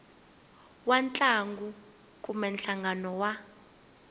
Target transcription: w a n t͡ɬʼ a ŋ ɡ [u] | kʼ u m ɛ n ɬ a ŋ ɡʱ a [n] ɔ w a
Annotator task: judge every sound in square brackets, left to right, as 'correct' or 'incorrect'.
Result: correct, correct

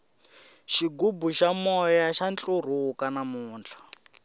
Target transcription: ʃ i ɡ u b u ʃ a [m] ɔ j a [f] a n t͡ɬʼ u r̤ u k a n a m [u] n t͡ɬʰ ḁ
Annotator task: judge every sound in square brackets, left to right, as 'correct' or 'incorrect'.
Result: correct, incorrect, incorrect

